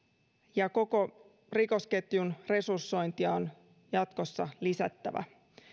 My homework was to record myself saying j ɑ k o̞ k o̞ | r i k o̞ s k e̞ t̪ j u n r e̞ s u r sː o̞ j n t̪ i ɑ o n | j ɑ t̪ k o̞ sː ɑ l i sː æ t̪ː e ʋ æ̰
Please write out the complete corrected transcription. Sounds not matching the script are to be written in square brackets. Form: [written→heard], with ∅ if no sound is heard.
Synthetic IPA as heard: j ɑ k o̞ k o̞ | r i k o̞ s k e̞ t̪ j u n r e̞ s u r sː o̞ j n t̪ i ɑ o n | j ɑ t̪ k o̞ sː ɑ l i [sː→s] æ t̪ː [e→æ] ʋ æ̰